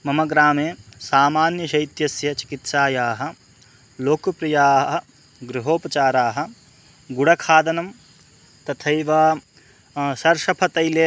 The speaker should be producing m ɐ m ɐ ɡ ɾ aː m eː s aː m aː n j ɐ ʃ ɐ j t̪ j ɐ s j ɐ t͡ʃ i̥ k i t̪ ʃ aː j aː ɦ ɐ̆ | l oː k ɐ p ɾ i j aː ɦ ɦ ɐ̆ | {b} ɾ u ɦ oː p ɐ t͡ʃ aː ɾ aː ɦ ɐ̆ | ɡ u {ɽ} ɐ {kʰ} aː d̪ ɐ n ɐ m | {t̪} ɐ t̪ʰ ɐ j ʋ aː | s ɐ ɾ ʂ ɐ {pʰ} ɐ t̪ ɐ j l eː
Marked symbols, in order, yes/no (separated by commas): no, yes, yes, yes, yes